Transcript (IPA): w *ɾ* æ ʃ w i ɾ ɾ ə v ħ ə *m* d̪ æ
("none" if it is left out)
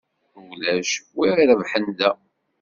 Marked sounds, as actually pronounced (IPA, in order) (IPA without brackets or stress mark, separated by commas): l, n